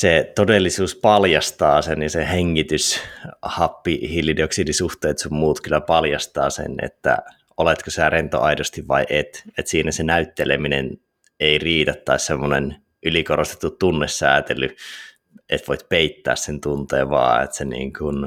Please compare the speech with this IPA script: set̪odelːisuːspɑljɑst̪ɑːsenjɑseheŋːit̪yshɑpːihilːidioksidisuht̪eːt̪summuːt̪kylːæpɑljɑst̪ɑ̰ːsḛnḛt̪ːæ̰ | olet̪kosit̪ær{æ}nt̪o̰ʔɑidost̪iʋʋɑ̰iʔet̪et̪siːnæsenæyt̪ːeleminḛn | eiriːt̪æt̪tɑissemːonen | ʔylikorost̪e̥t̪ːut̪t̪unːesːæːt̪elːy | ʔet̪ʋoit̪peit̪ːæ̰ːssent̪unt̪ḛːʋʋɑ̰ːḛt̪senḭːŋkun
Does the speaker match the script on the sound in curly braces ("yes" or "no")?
no